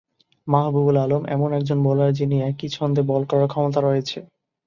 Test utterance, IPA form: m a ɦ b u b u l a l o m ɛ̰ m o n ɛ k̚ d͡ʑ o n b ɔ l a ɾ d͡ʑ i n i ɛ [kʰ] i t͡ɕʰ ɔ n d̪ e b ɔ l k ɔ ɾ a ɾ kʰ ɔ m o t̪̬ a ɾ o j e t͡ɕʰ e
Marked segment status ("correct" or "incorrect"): incorrect